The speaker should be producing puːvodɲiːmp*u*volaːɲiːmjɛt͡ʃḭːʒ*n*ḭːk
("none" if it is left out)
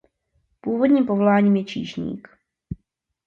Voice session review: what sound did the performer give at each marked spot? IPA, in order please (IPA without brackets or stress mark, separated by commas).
o, ɲ